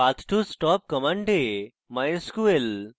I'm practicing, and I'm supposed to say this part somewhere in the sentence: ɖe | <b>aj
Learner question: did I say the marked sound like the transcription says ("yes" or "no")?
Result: no